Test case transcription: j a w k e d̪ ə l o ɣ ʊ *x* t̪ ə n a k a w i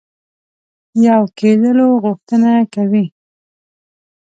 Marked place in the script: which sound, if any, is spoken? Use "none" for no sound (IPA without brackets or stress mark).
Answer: x